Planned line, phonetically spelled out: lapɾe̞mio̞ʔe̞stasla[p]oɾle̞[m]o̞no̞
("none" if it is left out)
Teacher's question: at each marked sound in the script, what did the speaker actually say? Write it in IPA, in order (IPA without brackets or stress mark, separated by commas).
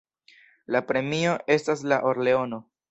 ʔ, none